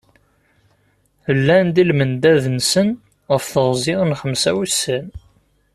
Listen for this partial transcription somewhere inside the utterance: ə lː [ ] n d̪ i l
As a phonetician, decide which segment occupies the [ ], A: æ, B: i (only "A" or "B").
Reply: A